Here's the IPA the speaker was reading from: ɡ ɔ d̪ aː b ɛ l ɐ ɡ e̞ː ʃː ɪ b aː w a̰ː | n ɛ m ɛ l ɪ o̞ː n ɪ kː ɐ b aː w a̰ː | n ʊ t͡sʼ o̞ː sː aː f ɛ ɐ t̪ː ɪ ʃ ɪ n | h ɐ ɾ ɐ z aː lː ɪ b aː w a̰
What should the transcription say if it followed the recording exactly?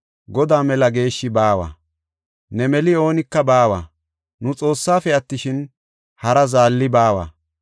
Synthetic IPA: ɡ ɔ d̪ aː m ɛ l ɐ ɡ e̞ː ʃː ɪ b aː w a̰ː | n ɛ m ɛ l ɪ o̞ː n ɪ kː ɐ b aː w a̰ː | n ʊ t͡sʼ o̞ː sː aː f ɛ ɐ t̪ː ɪ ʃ ɪ n | h ɐ ɾ ɐ z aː lː ɪ b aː w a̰